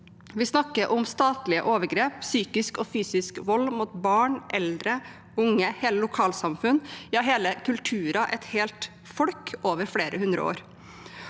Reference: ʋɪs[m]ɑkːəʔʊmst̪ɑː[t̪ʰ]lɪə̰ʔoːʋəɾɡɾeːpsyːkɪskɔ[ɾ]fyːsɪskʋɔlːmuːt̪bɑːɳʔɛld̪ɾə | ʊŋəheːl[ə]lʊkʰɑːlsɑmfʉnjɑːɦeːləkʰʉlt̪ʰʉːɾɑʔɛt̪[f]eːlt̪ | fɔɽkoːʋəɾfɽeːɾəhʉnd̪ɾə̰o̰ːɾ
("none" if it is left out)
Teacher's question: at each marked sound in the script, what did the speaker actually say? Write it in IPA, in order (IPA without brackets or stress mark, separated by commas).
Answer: n, t̪, none, ə, h